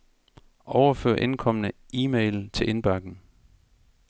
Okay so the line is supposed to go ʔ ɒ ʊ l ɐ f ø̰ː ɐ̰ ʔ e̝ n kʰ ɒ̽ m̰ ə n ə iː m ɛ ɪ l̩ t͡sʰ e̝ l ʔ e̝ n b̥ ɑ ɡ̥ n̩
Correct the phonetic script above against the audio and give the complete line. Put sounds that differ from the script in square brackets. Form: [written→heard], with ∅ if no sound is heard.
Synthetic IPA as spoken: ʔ ɒ ʊ [l→∅] ɐ f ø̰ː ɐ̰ ʔ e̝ n kʰ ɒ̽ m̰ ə n ə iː m [ɛ→e] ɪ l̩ t͡sʰ e̝ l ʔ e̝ n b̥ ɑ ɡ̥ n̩